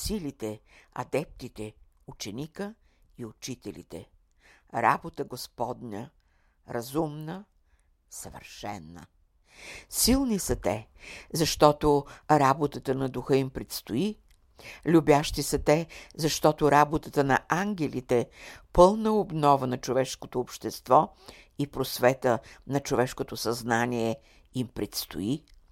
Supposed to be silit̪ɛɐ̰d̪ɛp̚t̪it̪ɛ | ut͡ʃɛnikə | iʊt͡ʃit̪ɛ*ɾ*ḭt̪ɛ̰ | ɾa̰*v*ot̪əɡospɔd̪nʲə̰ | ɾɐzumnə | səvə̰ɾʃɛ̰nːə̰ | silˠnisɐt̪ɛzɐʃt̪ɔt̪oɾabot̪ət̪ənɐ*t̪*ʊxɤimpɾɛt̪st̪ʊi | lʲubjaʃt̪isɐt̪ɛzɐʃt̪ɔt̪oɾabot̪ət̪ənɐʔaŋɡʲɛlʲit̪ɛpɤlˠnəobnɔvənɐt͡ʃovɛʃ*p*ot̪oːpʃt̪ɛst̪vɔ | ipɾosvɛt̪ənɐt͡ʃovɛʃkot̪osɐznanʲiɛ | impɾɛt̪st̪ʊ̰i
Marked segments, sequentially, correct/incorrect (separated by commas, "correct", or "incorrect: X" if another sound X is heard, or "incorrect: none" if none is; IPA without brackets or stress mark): incorrect: l, incorrect: b, incorrect: d̪, incorrect: k